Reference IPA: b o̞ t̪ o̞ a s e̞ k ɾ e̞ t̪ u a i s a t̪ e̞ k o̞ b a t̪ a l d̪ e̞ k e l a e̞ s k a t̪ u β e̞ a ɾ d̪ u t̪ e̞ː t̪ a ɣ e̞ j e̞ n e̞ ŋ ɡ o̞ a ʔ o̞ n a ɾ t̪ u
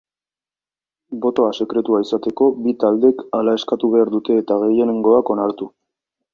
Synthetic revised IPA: b o̞ t̪ o̞ a s e̞ k ɾ e̞ t̪ u a i s a t̪ e̞ k o̞ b i t̪ a l d̪ e̞ k a l a e̞ s k a t̪ u β e̞ a ɾ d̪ u t̪ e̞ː t̪ a ɣ e̞ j e̞ n e̞ ŋ ɡ o̞ a k o̞ n a ɾ t̪ u

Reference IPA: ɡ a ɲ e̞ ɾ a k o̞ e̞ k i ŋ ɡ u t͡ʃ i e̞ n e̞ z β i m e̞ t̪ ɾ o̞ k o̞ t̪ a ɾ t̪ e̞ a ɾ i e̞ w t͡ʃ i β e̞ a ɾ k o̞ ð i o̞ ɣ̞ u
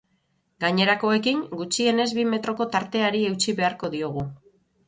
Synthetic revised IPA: ɡ a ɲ e̞ ɾ a k o̞ e̞ k i ŋ ɡ u t͡ʃ i e̞ n e̞ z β i m e̞ t̪ ɾ o̞ k o̞ t̪ a ɾ t̪ e̞ a ɾ i e̞ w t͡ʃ i β e̞ a ɾ k o̞ ð i o̞ ɣ̞ u

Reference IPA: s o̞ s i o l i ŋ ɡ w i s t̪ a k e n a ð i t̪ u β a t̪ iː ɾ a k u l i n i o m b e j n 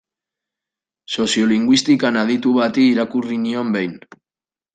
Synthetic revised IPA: s o̞ s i o l i ŋ ɡ w i s t̪ i k a n a ð i t̪ u β a t̪ iː ɾ a k u r i n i o m b e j n

